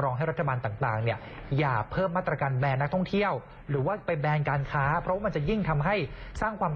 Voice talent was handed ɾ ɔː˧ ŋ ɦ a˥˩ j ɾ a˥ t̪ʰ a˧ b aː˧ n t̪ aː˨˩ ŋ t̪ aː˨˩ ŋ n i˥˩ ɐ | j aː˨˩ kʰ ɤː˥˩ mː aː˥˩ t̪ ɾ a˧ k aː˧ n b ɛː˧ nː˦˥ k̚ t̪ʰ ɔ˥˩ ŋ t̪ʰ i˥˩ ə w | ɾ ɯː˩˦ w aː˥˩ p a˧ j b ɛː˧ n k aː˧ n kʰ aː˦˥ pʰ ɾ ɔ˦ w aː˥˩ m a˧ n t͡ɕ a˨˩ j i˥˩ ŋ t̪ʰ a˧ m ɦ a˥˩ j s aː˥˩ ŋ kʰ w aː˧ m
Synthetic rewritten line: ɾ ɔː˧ ŋ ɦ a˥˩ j ɾ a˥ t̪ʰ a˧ b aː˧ n t̪ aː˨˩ ŋ t̪ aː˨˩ ŋ n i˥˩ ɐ | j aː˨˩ pʰ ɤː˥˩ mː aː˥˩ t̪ ɾ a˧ k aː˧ n b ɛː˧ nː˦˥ k̚ t̪ʰ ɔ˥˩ ŋ t̪ʰ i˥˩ ə w | ɾ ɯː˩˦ w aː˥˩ p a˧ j b ɛː˧ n k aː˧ n kʰ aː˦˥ pʰ ɾ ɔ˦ w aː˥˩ m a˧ n t͡ɕ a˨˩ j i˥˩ ŋ t̪ʰ a˧ m ɦ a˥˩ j s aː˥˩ ŋ kʰ w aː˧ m

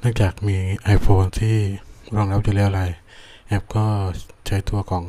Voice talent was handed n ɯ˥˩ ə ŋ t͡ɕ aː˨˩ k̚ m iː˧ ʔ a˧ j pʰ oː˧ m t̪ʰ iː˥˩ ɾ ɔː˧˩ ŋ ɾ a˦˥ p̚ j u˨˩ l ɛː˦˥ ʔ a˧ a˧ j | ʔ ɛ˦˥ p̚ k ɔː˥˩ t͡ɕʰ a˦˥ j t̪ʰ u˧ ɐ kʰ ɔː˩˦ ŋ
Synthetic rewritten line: n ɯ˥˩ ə ŋ t͡ɕ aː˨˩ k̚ m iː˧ ʔ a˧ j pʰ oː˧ n t̪ʰ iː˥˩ ɾ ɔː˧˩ ŋ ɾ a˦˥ p̚ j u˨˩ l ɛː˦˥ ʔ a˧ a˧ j | ʔ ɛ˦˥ p̚ k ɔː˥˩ t͡ɕʰ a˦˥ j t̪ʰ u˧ ɐ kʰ ɔː˩˦ ŋ

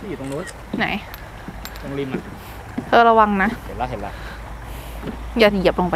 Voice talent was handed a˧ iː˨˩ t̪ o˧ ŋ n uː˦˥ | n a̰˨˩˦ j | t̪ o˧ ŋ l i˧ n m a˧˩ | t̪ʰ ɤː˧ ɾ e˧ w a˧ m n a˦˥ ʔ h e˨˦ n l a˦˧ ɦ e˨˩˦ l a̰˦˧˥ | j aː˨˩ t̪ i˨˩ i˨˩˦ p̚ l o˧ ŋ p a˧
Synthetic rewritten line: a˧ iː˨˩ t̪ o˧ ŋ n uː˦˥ | n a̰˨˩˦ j | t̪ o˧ ŋ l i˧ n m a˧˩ | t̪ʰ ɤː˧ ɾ a˧ w a˧ ŋ n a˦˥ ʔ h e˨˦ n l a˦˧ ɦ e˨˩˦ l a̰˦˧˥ | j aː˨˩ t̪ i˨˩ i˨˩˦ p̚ l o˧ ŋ p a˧

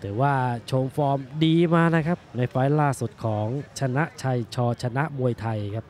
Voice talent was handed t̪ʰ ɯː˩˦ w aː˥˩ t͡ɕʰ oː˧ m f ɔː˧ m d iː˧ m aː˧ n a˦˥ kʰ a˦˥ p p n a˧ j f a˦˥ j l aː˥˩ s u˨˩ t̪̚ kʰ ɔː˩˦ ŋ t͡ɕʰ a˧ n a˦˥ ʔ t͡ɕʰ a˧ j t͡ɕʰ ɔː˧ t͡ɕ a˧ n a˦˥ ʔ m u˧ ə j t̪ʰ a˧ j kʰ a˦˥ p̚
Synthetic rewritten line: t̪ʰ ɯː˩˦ w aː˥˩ t͡ɕʰ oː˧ m f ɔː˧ m d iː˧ m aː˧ n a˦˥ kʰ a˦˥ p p n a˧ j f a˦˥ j l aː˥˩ s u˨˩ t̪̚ kʰ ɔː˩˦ ŋ t͡ɕʰ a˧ n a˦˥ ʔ t͡ɕʰ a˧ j t͡ɕʰ ɔː˧ t͡ɕʰ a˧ n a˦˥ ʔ m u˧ ə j t̪ʰ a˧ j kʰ a˦˥ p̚

